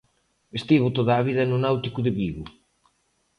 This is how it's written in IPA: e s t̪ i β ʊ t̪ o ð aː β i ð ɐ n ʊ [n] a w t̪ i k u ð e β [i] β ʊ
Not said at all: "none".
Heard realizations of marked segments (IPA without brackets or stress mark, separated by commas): n, i